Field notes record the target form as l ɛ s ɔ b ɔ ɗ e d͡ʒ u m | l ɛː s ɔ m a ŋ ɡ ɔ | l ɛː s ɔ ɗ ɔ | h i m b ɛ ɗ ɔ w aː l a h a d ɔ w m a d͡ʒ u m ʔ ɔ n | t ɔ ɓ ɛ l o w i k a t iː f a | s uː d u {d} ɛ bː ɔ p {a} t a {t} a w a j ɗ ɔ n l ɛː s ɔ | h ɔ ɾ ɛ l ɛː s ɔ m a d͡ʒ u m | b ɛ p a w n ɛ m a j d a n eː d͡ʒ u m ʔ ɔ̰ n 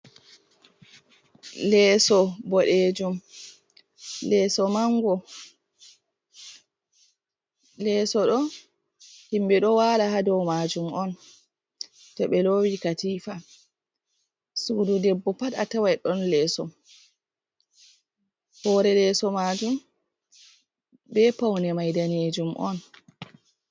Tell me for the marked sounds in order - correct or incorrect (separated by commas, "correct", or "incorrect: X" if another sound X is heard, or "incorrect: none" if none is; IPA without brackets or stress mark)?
correct, correct, correct